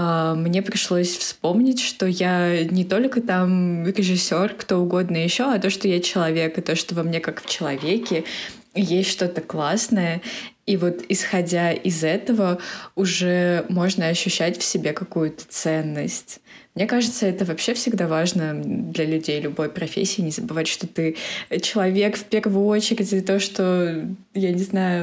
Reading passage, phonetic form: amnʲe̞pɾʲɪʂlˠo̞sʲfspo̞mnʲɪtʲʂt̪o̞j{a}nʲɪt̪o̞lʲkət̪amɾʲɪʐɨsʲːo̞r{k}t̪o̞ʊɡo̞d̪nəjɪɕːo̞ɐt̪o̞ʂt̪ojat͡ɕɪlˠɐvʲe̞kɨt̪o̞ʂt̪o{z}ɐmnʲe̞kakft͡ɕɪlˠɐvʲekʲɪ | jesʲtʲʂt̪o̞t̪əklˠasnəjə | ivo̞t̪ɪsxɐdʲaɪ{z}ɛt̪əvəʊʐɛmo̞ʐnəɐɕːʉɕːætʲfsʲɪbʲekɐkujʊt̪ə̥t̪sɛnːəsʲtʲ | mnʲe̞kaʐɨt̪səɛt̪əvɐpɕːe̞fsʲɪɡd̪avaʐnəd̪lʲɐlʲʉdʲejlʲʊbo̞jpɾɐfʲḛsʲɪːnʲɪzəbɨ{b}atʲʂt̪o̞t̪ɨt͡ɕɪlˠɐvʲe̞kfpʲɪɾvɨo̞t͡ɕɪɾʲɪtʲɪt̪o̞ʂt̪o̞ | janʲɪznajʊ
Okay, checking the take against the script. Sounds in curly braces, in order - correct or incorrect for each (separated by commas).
correct, correct, incorrect, correct, incorrect